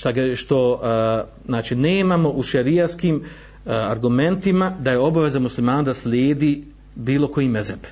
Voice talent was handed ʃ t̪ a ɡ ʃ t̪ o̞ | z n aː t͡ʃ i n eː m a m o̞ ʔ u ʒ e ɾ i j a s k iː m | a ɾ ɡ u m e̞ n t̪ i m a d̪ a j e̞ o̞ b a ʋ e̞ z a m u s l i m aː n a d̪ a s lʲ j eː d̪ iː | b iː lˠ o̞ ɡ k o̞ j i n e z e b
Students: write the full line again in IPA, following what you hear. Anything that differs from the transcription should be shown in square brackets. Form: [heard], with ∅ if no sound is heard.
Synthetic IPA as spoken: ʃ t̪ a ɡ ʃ t̪ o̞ | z n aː t͡ʃ i n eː m a m o̞ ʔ u [ʃ] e ɾ i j a s k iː m | a ɾ ɡ u m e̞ n t̪ i m a d̪ a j e̞ o̞ b a ʋ e̞ z a m u s l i m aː n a d̪ a s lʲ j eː d̪ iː | b iː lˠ o̞ [∅] k o̞ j i [m] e z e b